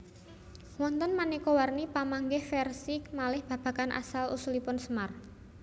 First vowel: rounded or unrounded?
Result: rounded